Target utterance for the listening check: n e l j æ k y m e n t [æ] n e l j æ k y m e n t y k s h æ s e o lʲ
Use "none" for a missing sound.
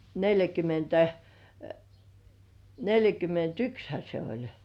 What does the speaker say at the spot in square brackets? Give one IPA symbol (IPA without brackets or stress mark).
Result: æ